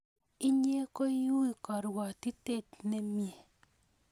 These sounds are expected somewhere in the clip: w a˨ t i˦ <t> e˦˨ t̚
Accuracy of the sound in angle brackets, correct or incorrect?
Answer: correct